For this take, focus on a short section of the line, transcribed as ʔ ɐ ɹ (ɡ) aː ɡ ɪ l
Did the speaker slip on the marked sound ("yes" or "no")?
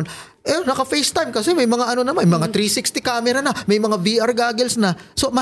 no